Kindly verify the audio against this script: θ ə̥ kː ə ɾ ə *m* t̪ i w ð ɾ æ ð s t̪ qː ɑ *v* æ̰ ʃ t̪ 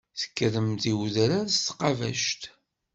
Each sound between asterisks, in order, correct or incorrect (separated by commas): correct, correct